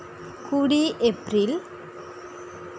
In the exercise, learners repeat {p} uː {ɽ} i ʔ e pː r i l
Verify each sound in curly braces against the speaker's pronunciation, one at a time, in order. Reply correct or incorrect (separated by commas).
incorrect, correct